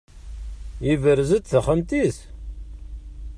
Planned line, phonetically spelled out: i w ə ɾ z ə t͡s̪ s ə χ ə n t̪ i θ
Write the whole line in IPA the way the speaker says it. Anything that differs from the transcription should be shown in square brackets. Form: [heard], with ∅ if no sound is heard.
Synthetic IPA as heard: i [v] ə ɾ z ə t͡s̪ [θ] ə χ ə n t̪ i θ